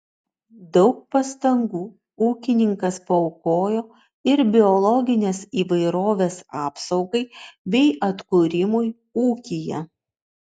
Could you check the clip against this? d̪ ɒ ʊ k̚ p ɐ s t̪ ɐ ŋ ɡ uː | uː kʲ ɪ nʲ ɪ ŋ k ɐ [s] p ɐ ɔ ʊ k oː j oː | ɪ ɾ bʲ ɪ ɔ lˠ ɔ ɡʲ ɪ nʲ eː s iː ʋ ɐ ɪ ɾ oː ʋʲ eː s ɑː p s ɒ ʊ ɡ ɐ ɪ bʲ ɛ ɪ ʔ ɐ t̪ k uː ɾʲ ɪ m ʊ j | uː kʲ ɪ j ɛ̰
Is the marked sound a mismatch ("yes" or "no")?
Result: no